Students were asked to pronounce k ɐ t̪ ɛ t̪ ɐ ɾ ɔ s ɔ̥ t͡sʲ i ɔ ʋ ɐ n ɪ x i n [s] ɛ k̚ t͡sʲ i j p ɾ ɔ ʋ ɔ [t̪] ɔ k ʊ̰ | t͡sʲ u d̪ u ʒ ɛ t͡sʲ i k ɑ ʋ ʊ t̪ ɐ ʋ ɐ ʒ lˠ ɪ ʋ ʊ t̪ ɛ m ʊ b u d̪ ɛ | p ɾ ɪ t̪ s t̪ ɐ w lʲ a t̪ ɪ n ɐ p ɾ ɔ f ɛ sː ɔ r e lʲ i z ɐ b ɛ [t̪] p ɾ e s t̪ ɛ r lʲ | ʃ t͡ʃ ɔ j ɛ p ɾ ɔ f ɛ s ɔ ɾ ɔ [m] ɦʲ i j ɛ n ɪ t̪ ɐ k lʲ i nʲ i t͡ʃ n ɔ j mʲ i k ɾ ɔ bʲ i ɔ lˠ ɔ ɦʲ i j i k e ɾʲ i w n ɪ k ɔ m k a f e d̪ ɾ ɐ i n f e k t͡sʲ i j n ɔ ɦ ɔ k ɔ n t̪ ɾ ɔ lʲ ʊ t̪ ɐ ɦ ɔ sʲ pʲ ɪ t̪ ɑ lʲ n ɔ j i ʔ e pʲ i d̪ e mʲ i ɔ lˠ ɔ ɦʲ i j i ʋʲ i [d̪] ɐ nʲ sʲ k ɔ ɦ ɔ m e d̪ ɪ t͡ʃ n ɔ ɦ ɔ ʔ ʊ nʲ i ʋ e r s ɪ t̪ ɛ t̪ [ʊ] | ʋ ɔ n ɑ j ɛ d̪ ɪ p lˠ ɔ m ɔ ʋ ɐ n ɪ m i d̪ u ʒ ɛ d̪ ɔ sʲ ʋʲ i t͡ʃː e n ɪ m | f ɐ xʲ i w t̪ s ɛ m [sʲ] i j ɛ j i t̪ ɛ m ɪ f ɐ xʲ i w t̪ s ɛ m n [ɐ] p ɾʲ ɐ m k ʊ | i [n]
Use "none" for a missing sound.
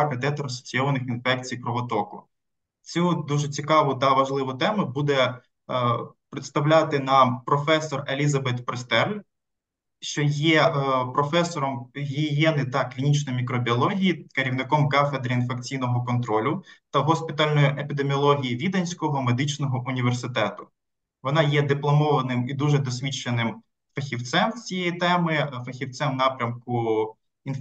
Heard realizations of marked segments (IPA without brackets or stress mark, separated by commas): f, t̪, t̪, m, d̪, ʊ, t͡sʲ, ɑ, n